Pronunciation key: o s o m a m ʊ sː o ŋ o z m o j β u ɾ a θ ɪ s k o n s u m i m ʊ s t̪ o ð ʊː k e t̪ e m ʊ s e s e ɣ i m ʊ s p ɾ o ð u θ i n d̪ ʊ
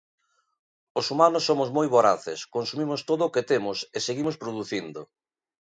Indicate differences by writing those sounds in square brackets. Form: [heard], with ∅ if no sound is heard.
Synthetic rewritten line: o s [u] m a [n] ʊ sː o [m] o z m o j β [o] ɾ a θ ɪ s k o n s u m i m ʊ s t̪ o ð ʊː k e t̪ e m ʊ s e s e ɣ i m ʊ s p ɾ o ð u θ i n d̪ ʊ